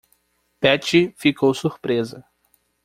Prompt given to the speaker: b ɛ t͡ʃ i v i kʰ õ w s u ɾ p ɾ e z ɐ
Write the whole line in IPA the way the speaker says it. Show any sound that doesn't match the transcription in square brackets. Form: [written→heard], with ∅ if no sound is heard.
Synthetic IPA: [b→p] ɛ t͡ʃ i [v→f] i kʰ [õ→o] w s u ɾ p ɾ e z ɐ